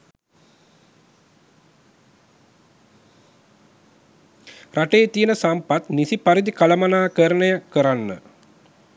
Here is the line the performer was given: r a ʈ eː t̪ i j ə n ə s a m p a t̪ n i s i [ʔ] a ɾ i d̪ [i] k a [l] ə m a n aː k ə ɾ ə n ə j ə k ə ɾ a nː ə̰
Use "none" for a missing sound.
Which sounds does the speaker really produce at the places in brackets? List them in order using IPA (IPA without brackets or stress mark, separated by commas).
p, i, l